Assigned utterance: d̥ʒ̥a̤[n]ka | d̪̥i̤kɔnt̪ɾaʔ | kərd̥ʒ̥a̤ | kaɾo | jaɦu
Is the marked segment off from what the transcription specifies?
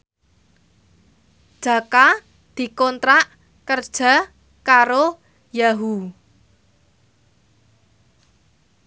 yes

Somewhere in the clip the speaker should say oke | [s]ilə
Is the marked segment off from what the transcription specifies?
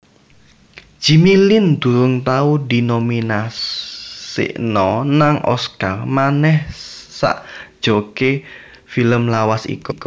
yes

